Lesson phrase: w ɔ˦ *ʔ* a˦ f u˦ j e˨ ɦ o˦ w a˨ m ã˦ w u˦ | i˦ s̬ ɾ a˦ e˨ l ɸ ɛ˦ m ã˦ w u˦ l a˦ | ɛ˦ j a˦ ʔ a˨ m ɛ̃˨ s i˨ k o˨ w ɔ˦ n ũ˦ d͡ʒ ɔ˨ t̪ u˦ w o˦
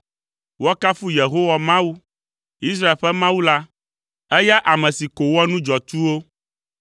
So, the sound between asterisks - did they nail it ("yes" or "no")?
no